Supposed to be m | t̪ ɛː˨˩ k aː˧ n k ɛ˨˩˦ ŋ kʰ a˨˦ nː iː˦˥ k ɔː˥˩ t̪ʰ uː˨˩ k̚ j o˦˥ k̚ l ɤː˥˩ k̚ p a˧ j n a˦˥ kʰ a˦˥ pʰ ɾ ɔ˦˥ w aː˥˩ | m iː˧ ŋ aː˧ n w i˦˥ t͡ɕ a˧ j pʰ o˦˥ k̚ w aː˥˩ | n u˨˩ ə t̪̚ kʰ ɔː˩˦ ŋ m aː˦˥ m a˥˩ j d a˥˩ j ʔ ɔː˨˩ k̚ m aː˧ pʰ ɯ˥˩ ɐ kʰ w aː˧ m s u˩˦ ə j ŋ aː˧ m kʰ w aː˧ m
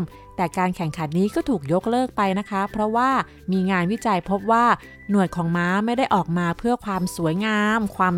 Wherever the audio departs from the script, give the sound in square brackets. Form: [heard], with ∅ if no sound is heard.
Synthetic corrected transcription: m | t̪ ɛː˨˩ k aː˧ n [kʰ] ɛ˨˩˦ ŋ kʰ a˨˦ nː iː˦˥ k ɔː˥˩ t̪ʰ uː˨˩ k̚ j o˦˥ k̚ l ɤː˥˩ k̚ p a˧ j n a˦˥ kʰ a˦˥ pʰ ɾ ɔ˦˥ w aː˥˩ | m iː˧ ŋ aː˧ n w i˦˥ t͡ɕ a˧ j pʰ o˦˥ [p̚] w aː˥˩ | n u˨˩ ə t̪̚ kʰ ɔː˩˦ ŋ m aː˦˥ m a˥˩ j d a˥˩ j ʔ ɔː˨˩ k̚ m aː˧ pʰ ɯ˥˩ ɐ kʰ w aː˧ m s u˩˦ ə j ŋ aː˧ m kʰ w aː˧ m